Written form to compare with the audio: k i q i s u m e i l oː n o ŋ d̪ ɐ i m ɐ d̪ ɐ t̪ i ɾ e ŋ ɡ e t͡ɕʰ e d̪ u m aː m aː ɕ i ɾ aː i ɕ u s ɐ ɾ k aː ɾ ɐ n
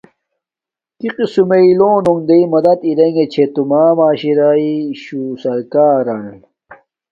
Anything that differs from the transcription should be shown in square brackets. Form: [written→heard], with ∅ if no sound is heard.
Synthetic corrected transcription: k i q i s u m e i l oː n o ŋ d̪ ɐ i m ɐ d̪ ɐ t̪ i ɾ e ŋ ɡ e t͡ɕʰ e [d̪→t̪] u m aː m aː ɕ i ɾ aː i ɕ u s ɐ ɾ k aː ɾ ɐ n